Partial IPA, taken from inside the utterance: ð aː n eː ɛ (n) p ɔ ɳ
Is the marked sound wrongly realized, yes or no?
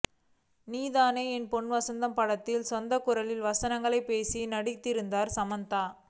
no